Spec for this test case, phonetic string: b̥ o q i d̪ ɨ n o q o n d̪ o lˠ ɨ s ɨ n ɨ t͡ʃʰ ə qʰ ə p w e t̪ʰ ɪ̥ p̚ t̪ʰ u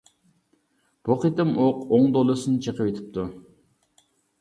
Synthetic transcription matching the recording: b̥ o q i t̪ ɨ m o q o ŋ d̪ o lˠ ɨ s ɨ n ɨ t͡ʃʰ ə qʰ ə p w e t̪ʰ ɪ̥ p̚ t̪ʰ u